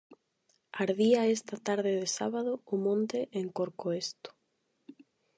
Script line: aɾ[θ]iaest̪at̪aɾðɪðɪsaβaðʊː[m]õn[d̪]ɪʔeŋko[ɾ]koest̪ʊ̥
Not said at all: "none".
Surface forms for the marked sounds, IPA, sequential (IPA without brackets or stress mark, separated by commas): ð, m, t̪, ɾ